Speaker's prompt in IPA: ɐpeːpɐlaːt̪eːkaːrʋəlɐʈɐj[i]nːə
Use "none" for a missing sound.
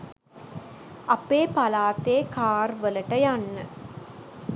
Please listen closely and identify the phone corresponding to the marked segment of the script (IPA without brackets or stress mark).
a